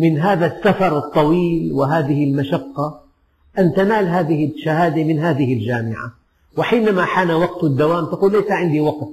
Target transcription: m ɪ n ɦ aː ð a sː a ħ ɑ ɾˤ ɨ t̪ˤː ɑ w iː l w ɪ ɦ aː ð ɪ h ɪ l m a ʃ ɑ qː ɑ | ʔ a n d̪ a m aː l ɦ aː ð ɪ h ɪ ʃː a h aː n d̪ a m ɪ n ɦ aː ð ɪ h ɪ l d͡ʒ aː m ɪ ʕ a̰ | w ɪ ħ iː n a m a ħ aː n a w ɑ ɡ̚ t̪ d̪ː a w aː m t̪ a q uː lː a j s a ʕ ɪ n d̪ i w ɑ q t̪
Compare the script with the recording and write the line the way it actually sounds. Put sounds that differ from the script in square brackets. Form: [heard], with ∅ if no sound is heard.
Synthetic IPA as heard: m ɪ n ɦ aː ð a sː a [f] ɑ ɾˤ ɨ t̪ˤː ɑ w iː l w ɪ ɦ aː ð ɪ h ɪ l m a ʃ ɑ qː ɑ | ʔ a n [t̪] a [n] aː l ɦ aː ð ɪ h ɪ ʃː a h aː [∅] d̪ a m ɪ n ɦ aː ð ɪ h ɪ l d͡ʒ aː m ɪ ʕ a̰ | w ɪ ħ iː n a m a ħ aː n a w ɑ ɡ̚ t̪ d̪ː a w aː m t̪ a q uː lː a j s a ʕ ɪ n d̪ i w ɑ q t̪